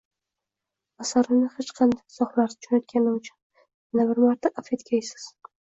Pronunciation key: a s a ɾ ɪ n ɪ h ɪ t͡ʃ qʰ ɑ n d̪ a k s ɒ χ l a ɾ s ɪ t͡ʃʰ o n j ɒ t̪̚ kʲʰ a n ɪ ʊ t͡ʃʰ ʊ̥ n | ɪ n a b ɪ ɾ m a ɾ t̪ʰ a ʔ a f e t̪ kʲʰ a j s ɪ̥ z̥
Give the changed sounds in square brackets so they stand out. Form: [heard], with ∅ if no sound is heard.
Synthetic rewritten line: a s a ɾ ɪ n ɪ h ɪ t͡ʃ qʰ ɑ n d̪ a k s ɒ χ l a ɾ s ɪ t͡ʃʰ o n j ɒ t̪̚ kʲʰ a n ɪ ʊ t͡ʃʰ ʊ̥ n | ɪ n a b ɪ ɾ m a ɾ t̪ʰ a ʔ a f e t̪ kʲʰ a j s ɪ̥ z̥